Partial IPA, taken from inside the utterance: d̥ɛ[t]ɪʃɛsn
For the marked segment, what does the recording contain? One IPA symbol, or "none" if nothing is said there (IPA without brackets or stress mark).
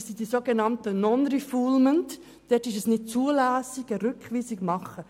t